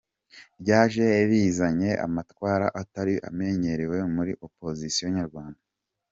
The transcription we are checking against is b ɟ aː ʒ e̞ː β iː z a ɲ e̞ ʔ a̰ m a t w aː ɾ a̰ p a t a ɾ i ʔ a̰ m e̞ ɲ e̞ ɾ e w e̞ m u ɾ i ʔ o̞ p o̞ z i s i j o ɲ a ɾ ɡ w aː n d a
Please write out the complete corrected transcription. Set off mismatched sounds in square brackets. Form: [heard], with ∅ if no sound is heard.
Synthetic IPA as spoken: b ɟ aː ʒ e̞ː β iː z a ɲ e̞ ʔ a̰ m a t w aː ɾ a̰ [ʔ] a t a ɾ i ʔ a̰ m e̞ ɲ e̞ ɾ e w e̞ m u ɾ i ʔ o̞ p o̞ z i s i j o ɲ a ɾ ɡ w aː n d a